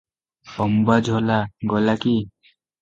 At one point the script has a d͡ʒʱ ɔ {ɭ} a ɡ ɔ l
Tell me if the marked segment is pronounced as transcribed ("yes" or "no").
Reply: no